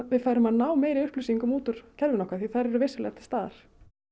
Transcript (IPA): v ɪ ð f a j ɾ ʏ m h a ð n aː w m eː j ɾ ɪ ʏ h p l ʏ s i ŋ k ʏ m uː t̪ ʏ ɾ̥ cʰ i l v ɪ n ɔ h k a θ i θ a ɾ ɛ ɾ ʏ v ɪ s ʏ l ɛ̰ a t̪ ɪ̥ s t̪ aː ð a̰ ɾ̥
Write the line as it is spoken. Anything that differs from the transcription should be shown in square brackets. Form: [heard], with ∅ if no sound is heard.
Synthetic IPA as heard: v ɪ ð f a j ɾ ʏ m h a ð n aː w m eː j ɾ ɪ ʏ h p l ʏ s i ŋ k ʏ m uː t̪ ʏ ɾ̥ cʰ [ɛ] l v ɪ n ɔ h k a θ i θ a ɾ ɛ ɾ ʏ v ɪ s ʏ l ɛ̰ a t̪ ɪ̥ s t̪ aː ð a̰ ɾ̥